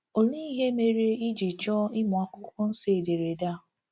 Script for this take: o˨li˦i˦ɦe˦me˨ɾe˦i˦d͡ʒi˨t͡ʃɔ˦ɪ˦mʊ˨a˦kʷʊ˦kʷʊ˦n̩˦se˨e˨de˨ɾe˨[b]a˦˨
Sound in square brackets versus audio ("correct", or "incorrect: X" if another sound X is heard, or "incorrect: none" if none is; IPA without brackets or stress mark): incorrect: d